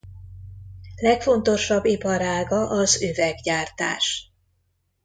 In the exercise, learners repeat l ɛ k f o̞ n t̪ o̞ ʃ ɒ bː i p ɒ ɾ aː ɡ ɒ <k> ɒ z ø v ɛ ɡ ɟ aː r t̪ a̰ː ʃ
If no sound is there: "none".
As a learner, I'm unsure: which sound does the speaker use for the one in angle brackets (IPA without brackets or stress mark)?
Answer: ʔ